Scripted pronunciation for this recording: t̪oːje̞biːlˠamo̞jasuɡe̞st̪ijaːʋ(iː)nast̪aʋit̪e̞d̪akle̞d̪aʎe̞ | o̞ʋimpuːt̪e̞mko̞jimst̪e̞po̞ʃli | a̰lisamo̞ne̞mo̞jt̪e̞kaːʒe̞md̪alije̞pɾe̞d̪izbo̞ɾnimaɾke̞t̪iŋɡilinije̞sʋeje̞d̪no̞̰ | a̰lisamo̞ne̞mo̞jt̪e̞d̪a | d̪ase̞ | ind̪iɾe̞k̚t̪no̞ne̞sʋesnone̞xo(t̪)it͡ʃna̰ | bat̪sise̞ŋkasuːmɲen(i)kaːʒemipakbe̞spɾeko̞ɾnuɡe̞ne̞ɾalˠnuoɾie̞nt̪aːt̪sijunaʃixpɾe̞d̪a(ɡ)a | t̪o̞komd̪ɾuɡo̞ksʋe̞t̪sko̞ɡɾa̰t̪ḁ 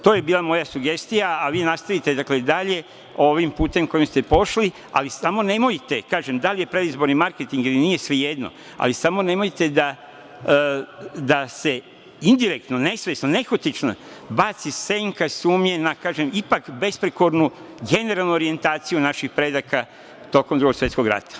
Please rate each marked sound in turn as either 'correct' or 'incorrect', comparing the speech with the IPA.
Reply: correct, correct, incorrect: a, incorrect: k

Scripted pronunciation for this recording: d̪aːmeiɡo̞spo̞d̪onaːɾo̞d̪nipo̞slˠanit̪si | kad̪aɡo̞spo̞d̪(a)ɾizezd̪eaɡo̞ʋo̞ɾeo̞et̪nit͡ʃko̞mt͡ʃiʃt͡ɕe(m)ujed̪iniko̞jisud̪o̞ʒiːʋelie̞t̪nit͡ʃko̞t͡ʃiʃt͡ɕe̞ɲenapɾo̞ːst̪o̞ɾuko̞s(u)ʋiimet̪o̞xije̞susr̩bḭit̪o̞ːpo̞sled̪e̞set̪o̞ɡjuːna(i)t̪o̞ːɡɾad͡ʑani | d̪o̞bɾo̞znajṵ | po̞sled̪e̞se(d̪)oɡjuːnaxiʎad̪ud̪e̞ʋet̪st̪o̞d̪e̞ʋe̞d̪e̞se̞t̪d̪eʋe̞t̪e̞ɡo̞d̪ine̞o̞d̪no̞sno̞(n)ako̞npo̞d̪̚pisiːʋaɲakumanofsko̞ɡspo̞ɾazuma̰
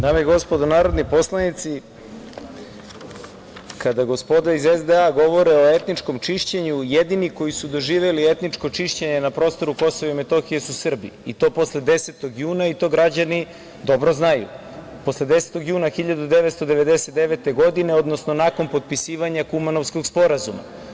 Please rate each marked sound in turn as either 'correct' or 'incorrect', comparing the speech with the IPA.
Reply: correct, incorrect: ɲ, incorrect: o, correct, incorrect: t̪, correct

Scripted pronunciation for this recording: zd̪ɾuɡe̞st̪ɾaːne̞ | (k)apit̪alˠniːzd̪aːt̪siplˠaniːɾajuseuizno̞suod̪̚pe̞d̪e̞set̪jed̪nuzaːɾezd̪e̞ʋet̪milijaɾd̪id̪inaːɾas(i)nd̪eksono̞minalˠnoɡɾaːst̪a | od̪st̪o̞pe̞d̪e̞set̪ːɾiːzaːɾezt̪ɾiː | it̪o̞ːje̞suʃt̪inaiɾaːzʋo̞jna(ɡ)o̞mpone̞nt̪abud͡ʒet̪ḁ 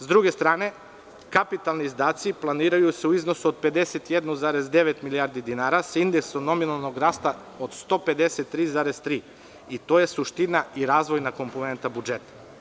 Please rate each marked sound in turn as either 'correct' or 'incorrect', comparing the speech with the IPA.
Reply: correct, correct, incorrect: k

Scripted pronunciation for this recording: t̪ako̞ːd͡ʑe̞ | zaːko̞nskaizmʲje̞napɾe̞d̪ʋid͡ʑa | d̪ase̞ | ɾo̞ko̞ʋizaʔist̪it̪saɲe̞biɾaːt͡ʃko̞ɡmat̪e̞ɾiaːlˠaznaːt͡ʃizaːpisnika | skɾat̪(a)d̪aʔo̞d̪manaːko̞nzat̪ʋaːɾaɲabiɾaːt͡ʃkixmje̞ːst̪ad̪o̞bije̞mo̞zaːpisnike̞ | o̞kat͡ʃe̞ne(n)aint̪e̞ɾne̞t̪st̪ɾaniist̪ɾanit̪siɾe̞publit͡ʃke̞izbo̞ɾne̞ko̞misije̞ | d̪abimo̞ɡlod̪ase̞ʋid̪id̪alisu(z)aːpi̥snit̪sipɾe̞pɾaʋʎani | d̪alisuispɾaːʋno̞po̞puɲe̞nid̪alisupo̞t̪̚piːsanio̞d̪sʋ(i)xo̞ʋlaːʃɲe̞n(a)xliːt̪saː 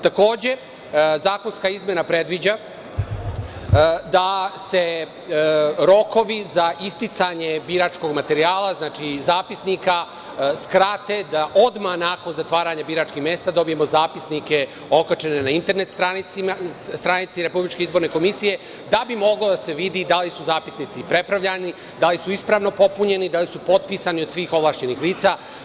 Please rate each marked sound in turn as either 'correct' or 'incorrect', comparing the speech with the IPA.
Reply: incorrect: e, correct, correct, incorrect: iː, incorrect: i

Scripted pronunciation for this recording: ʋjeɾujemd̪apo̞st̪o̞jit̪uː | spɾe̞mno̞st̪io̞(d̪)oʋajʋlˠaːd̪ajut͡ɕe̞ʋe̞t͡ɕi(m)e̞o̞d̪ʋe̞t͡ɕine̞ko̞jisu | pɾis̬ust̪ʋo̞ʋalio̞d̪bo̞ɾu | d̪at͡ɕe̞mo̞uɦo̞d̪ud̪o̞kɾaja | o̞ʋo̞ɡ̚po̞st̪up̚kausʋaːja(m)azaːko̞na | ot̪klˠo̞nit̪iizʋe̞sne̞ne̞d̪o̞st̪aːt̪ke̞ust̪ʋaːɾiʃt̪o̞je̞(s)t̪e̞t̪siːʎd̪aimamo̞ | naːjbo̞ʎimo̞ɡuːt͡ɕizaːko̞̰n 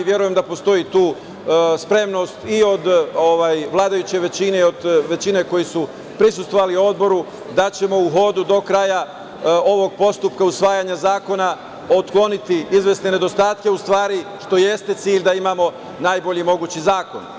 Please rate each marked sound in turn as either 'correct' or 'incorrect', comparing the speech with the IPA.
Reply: correct, incorrect: n, incorrect: ɲ, correct

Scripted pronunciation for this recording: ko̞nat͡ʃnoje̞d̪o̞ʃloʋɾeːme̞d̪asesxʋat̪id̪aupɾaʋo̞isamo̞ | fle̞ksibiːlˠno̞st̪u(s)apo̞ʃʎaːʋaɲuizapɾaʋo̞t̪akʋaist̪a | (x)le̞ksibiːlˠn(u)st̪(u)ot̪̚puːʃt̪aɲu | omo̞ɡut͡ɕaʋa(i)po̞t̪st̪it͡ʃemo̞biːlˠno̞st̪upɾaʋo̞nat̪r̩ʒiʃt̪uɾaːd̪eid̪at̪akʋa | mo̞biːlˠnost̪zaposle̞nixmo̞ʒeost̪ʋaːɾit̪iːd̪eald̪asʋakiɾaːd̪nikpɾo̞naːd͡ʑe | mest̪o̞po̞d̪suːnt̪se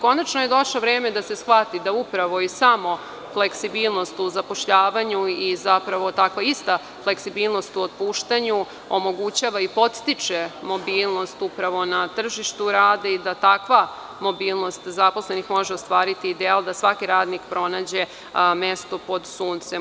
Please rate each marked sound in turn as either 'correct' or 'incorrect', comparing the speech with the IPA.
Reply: incorrect: z, incorrect: f, incorrect: o, correct, correct

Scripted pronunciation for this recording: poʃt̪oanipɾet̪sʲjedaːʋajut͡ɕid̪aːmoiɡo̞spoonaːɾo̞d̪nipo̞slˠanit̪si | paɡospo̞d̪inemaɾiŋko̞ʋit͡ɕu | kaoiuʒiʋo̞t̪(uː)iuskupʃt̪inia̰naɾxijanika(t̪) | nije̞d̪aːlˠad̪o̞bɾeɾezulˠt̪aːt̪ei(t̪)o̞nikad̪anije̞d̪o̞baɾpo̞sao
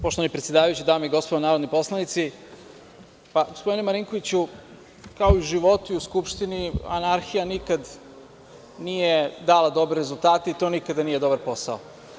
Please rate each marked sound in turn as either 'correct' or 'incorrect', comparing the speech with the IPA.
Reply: incorrect: u, incorrect: d̪, correct

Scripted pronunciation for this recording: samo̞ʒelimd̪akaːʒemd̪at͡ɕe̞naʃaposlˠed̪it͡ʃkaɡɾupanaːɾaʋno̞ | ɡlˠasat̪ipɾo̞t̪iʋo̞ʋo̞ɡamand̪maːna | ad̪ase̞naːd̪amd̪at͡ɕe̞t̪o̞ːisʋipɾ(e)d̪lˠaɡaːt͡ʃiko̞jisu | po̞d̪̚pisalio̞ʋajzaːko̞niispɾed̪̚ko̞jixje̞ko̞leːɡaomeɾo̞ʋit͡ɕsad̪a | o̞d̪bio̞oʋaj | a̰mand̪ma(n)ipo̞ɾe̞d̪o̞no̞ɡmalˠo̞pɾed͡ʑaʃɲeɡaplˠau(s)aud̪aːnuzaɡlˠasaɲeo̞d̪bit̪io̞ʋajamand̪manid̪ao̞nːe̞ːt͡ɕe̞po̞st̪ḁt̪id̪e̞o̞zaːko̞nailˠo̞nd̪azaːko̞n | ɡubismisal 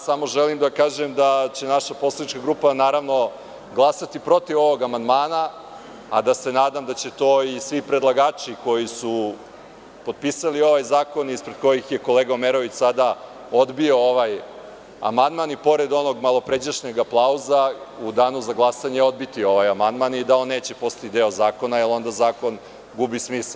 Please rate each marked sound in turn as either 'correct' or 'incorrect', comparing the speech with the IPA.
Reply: correct, correct, incorrect: z

